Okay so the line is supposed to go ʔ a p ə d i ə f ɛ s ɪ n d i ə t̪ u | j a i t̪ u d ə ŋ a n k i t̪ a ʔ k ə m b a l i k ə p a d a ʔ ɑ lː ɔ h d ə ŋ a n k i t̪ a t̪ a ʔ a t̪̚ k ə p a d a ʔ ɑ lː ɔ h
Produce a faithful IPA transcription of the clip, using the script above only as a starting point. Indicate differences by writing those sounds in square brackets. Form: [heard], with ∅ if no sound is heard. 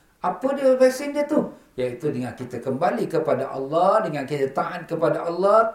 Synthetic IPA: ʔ a p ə d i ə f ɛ s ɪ n d i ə t̪ u | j a i t̪ u d ə ŋ a n k i t̪ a [∅] k ə m b a l i k ə p a d a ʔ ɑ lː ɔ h d ə ŋ a n k i t̪ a t̪ a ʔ a t̪̚ k ə p a d a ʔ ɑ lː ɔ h